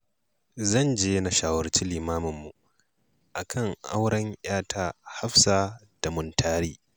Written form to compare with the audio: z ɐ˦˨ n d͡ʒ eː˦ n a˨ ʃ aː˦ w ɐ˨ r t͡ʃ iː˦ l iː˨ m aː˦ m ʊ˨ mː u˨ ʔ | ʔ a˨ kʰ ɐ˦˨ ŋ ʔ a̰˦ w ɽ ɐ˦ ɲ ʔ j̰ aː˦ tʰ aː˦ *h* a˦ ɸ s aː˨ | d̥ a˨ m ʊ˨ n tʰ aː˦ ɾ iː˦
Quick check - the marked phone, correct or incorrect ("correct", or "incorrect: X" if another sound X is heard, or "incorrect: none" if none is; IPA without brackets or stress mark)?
correct